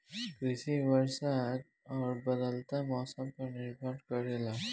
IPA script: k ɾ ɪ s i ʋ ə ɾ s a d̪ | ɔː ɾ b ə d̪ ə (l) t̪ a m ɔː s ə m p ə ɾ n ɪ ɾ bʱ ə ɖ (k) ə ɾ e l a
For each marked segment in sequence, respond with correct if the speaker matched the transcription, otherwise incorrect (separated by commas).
correct, correct